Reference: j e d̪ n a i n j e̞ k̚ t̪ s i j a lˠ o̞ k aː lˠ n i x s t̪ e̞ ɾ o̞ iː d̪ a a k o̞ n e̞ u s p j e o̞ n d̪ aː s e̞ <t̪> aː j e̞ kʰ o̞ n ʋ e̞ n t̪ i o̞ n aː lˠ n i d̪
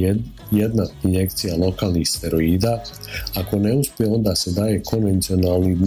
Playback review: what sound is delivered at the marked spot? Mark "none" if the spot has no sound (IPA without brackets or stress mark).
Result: d̪